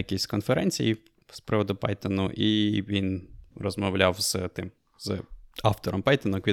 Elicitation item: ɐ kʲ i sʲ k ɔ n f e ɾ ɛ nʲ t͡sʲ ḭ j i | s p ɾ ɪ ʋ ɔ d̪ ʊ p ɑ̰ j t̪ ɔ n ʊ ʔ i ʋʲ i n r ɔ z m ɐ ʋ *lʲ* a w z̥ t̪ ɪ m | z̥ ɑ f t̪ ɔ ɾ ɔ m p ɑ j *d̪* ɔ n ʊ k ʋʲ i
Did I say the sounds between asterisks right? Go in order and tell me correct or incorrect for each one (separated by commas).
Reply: correct, incorrect